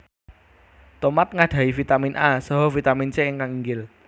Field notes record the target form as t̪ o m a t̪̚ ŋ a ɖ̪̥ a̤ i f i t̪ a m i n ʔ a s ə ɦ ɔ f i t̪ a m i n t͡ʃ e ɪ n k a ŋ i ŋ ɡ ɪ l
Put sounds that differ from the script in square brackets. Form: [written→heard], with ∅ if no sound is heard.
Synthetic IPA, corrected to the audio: t̪ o m a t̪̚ ŋ a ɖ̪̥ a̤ i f i t̪ a m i n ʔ a s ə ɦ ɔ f i t̪ a m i n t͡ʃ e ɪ [n→ŋ] k a ŋ i ŋ ɡ ɪ l